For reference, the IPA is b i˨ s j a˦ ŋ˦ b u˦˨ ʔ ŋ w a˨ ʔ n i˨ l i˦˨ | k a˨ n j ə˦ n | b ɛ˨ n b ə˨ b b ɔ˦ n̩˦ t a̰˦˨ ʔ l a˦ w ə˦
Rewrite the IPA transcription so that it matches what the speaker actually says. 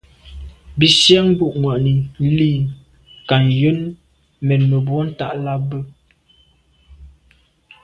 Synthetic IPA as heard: b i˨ s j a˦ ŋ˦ b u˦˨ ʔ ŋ w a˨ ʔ n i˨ l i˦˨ | k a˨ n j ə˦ n | m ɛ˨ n m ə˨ b w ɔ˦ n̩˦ t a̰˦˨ ʔ l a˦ b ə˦

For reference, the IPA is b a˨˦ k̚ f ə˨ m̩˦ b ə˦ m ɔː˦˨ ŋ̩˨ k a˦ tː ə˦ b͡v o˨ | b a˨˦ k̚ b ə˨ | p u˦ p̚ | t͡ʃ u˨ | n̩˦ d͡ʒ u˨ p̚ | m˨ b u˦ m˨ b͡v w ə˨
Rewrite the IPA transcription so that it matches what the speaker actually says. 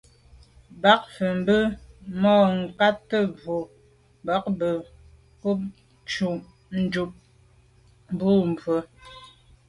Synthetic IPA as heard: b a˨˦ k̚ f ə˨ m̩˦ b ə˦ m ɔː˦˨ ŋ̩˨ k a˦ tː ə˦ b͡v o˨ | b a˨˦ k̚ b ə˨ | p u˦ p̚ | t͡ʃ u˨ | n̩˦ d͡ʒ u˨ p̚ | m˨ b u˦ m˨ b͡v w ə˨

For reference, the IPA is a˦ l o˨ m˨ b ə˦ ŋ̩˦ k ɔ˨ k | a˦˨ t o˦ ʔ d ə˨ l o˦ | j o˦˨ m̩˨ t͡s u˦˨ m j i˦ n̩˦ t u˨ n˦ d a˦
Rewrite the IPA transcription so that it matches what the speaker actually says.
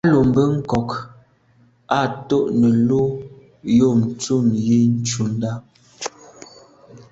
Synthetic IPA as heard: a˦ l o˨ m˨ b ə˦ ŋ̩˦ k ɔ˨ k | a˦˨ t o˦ ʔ n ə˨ l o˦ | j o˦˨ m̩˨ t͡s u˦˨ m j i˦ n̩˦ t͡ʃ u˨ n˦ d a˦

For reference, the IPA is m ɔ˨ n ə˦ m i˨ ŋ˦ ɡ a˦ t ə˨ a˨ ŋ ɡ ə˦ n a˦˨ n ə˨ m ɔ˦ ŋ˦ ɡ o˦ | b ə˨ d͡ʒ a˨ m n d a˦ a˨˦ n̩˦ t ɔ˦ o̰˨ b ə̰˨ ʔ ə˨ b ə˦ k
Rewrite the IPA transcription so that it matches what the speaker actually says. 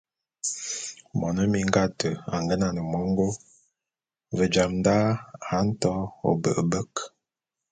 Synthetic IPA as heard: m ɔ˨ n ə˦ m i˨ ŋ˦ ɡ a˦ t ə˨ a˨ ŋ ɡ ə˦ n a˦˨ n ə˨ m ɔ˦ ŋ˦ ɡ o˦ | v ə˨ d͡ʒ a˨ m n d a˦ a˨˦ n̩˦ t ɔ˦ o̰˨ b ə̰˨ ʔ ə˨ b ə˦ k

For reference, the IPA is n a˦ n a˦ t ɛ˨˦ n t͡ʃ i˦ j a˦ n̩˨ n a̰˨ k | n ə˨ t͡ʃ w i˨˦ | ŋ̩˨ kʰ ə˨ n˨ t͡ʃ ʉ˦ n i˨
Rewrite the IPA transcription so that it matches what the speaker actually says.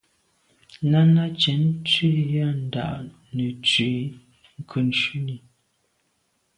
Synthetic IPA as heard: n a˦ n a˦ t͡ʃ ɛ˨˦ n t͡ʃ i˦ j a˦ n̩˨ d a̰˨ ʔ | n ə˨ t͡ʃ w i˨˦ | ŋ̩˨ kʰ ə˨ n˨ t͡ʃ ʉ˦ n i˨

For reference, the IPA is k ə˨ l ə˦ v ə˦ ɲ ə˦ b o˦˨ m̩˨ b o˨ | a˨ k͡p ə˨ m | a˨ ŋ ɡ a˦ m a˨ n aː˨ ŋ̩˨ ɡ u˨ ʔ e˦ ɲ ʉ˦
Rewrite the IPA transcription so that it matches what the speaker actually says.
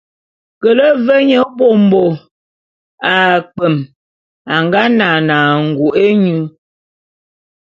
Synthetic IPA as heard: k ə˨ l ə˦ v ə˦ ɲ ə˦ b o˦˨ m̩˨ b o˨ | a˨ k͡p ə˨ m | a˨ ŋ ɡ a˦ n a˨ n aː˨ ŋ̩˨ ɡ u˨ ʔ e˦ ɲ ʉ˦

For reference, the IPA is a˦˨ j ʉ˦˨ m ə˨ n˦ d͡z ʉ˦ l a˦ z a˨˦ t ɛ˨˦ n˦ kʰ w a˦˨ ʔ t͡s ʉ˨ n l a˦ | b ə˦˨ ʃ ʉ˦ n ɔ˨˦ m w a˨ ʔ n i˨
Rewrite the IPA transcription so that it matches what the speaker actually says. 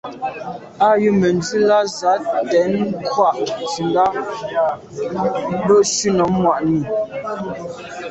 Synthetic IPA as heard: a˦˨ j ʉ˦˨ m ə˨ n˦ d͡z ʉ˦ l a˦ z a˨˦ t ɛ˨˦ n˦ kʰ w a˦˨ ʔ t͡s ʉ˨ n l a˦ | b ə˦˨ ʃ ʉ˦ n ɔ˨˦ m w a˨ ʔ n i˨

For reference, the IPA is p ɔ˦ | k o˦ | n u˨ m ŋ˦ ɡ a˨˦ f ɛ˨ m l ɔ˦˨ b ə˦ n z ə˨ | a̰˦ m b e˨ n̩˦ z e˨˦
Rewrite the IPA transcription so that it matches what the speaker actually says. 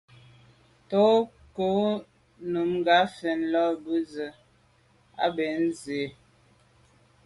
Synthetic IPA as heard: t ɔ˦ | k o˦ | n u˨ m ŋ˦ ɡ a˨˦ f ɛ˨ n l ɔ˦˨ b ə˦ z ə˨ | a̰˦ b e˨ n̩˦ z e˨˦

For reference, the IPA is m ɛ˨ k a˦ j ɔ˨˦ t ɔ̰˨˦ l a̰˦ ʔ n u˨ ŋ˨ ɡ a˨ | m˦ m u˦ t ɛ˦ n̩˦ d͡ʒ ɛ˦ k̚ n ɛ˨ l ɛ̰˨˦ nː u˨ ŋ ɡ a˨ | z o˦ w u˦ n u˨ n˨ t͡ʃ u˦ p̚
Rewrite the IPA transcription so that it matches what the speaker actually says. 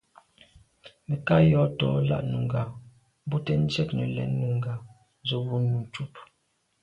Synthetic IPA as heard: m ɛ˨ k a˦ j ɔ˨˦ t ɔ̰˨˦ l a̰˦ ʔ n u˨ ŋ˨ ɡ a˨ | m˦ b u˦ t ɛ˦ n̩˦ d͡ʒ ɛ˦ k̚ n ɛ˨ l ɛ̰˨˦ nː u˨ ŋ ɡ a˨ | z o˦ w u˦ n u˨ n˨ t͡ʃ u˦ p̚

